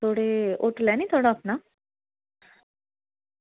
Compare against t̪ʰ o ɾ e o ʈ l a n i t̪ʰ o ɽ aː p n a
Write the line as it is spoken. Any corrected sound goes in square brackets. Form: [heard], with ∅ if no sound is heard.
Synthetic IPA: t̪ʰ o [ɽ] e o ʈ l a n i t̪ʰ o ɽ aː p n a